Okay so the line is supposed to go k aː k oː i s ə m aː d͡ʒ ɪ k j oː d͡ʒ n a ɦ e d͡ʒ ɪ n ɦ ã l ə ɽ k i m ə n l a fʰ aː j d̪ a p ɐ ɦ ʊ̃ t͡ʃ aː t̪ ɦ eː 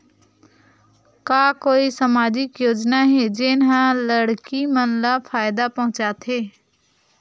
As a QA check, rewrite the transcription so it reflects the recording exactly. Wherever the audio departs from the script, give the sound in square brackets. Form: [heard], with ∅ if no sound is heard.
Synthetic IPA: k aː k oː i s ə m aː d͡ʒ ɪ k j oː d͡ʒ n a ɦ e d͡ʒ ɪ n ɦ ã l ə ɽ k i m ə n l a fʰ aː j d̪ a p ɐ ɦ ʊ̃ t͡ʃ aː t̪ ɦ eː

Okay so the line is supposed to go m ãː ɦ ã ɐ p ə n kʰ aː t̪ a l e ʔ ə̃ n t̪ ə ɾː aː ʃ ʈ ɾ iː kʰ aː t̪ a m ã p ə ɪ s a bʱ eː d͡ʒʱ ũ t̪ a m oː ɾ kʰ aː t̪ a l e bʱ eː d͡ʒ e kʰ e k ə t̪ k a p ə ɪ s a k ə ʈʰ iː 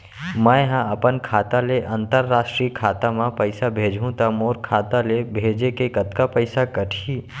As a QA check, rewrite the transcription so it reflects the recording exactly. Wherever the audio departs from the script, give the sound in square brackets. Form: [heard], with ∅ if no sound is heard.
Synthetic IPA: m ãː ɦ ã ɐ p ə n kʰ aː t̪ a l e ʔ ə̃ n t̪ ə ɾː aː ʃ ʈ ɾ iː kʰ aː t̪ a m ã p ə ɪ s a bʱ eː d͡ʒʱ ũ t̪ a m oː ɾ kʰ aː t̪ a l e bʱ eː d͡ʒ e [k] e k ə t̪ k a p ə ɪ s a k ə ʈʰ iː

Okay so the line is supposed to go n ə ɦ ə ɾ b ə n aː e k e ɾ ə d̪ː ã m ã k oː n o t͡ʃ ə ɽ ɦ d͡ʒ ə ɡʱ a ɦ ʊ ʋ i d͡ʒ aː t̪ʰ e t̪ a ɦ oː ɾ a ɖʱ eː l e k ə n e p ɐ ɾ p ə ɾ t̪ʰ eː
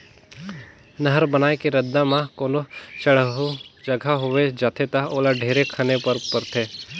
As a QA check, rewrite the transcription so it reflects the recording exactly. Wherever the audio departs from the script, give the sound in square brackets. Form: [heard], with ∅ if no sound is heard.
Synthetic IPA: n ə ɦ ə ɾ b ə n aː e k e ɾ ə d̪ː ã m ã k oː n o t͡ʃ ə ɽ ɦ d͡ʒ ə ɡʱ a ɦ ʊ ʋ [e] d͡ʒ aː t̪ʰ e t̪ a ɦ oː [l] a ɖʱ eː [ɾ] e [kʰ] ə n e p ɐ ɾ p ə ɾ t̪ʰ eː

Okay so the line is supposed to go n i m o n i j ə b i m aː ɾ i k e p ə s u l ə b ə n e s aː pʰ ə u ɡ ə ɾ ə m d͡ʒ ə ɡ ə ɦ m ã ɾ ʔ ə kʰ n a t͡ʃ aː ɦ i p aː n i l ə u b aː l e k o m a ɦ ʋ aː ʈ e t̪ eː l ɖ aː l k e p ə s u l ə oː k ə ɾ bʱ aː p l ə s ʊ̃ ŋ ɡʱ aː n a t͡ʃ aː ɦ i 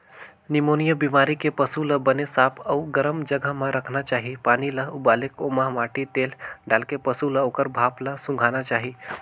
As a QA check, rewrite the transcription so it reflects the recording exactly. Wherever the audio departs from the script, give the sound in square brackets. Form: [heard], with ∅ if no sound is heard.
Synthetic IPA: n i m o n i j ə b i m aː ɾ i k e p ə s u l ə b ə n e s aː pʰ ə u ɡ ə ɾ ə m d͡ʒ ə ɡ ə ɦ m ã ɾ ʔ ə kʰ n a t͡ʃ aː ɦ i p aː n i l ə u b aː l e k o m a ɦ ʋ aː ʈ [i] t̪ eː l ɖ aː l k e p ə s u l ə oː k ə ɾ bʱ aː p l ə s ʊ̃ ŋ ɡʱ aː n a t͡ʃ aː ɦ i

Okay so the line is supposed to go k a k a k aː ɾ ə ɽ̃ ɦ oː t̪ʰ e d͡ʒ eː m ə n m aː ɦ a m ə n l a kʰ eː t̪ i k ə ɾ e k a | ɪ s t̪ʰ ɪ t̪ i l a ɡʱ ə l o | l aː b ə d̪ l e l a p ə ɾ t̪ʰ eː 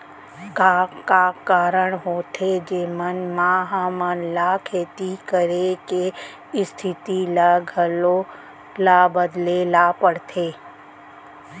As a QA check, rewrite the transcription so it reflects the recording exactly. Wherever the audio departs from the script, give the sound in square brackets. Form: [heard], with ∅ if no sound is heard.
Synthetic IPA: k a k a k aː ɾ ə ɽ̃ ɦ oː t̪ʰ e d͡ʒ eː m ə n m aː ɦ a m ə n l a kʰ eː t̪ i k ə ɾ e k [e] | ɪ s t̪ʰ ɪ t̪ i l a ɡʱ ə l o | l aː b ə d̪ l e l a p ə [ɽ] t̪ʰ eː

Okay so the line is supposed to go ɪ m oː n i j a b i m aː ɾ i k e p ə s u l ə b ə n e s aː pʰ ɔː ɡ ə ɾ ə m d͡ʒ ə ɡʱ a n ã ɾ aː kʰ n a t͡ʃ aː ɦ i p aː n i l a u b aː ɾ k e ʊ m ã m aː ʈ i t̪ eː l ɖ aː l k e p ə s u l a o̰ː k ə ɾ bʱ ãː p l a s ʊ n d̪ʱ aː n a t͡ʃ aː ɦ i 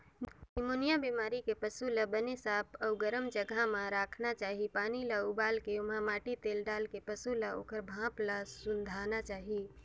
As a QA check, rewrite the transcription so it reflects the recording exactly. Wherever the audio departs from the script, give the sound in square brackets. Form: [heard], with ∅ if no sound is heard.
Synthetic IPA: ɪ m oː n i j a b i m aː ɾ i k e p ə s u l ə b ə n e s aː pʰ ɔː ɡ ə ɾ ə m d͡ʒ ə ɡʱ a [m] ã ɾ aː kʰ n a t͡ʃ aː ɦ i p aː n i l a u b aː [l] k e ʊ m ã m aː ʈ i t̪ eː l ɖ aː l k e p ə s u l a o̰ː k ə ɾ bʱ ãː p l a s ʊ n d̪ʱ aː n a t͡ʃ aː ɦ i

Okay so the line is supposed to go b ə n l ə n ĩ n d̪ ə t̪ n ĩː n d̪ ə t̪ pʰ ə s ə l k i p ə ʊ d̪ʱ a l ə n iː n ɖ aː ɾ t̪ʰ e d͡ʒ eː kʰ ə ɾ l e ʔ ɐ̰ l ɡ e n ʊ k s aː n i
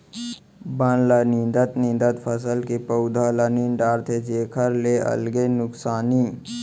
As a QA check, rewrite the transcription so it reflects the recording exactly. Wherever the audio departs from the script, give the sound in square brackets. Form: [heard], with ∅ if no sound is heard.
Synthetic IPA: b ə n l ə n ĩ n d̪ ə t̪ n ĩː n d̪ ə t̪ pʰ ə s ə l k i p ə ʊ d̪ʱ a l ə n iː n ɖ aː ɾ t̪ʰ e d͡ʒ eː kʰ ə ɾ l e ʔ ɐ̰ l ɡ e n ʊ k s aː n i

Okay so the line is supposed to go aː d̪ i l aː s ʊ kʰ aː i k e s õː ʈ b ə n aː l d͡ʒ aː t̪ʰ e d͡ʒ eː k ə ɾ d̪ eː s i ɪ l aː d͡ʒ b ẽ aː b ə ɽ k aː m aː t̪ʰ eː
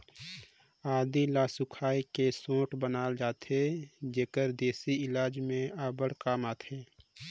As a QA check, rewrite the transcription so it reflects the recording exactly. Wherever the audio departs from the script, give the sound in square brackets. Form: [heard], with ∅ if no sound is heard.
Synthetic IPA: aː d̪ i l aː s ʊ kʰ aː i k e s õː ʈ b ə n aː l d͡ʒ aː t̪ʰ e d͡ʒ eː k ə ɾ d̪ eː s i ɪ l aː d͡ʒ [m] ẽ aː b ə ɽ k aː m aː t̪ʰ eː

